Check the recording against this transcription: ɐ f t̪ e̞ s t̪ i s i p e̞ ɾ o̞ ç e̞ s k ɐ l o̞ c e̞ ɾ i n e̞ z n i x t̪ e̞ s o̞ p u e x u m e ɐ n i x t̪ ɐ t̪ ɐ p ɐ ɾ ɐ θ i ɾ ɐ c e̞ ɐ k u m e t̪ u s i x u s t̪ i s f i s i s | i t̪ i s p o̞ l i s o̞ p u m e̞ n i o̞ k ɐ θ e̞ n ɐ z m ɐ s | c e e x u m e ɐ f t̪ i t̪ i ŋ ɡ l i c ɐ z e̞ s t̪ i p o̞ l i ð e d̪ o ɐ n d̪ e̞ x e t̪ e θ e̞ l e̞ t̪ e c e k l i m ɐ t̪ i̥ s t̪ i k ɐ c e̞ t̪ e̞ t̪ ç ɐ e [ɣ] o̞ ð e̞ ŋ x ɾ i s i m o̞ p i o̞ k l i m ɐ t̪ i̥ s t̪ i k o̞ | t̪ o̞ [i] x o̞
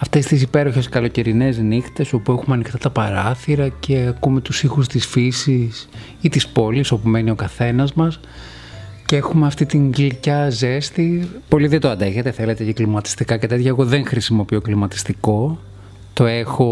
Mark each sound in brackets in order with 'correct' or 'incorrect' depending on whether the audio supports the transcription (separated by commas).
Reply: correct, incorrect